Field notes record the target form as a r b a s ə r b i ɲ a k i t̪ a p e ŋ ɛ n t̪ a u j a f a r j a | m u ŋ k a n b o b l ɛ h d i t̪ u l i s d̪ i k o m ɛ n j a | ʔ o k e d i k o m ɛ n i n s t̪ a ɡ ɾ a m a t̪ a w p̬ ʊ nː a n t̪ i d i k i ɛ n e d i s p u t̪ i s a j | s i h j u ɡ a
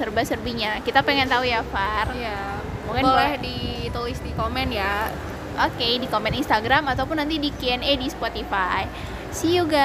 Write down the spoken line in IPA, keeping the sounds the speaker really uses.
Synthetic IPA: ə r b a s ə r b i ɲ a k i t̪ a p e ŋ ɛ n t̪ a u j a f a r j a | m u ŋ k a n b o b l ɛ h d i t̪ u l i s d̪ i k o m ɛ n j a | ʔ o k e d i k o m ɛ n i n s t̪ a ɡ ɾ a m a t̪ a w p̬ ʊ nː a n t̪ i d i k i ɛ n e d i s p o t̪ i f a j | s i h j u ɡ a